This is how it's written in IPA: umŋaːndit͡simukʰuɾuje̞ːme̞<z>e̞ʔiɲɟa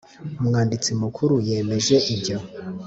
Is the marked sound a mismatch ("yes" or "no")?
yes